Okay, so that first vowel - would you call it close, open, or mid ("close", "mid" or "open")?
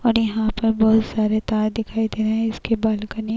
mid